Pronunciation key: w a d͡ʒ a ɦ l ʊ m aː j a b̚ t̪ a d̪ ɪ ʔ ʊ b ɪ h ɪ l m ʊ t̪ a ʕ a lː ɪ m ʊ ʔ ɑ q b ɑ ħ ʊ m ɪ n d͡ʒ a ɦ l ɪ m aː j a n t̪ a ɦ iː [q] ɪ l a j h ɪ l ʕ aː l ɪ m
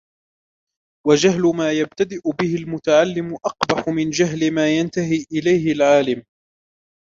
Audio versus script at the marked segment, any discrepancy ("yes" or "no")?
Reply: yes